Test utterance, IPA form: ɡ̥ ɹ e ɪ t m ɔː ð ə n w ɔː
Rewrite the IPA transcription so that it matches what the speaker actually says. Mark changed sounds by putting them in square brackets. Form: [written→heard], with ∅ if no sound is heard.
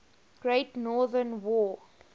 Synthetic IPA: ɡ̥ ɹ e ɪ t [m→n] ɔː ð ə n w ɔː